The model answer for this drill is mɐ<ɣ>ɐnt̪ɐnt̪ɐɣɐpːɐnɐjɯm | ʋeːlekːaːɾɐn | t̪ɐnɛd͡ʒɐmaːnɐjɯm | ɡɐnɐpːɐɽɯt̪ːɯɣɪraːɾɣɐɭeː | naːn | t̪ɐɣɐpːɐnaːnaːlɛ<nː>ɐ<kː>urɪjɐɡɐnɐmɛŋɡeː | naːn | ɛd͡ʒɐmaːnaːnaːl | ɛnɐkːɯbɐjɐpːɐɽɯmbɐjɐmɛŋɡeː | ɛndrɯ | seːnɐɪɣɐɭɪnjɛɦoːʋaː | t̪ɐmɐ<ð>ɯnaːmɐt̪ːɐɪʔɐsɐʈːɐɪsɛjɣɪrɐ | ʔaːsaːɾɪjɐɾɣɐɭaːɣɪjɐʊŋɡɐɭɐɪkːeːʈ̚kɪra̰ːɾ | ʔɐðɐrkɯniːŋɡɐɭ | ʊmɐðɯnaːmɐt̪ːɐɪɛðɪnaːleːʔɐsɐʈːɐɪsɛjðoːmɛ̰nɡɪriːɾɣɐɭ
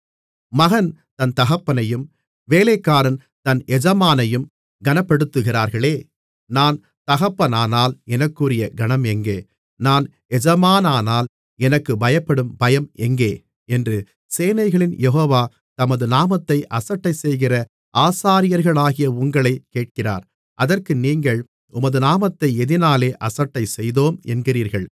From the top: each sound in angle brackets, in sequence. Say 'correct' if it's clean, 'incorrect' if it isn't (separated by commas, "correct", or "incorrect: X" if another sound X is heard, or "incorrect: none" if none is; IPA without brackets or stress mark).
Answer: correct, incorrect: n, correct, correct